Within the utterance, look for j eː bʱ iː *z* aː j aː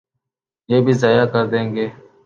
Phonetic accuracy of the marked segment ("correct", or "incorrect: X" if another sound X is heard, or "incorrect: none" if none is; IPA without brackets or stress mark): correct